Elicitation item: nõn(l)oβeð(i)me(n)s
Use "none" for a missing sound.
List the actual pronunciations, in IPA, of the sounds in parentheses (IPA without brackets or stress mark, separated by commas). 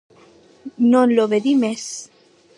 l, i, none